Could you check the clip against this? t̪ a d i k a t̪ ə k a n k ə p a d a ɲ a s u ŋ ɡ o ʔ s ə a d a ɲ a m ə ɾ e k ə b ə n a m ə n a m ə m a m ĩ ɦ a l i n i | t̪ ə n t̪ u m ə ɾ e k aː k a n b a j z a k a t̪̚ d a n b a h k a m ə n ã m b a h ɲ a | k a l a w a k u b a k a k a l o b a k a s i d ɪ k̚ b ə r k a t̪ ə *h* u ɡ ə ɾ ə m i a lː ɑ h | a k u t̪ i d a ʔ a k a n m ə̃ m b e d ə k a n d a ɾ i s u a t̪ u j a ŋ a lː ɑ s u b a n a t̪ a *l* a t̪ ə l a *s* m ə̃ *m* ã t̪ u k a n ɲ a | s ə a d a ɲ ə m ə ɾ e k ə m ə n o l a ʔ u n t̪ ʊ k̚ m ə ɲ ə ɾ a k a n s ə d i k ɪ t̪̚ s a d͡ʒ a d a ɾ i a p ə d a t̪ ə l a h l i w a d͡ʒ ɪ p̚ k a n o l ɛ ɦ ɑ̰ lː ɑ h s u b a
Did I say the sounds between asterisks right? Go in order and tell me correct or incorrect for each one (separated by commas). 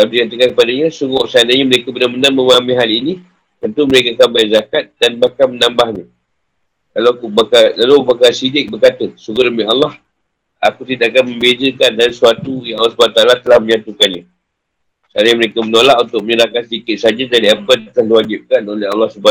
incorrect, correct, incorrect, incorrect